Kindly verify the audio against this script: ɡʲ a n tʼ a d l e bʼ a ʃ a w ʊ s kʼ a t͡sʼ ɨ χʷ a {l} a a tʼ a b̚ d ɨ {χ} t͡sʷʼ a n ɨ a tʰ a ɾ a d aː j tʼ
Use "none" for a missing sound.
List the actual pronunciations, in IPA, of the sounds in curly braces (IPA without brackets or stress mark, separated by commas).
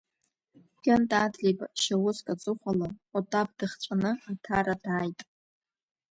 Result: l, χ